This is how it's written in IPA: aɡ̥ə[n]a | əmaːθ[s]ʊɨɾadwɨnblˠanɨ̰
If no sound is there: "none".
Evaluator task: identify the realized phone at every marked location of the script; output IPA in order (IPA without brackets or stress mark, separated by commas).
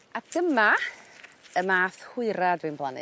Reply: m, h